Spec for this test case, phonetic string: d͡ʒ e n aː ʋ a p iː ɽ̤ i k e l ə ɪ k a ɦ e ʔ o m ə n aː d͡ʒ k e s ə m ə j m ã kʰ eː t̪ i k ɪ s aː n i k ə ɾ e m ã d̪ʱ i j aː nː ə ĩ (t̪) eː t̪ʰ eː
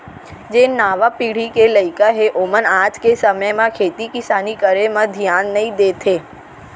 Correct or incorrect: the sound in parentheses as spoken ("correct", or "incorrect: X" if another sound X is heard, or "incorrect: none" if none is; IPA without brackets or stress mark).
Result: incorrect: d̪